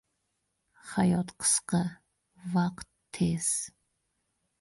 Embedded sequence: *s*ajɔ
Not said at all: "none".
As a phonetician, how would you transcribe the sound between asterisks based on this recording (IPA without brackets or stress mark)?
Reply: χ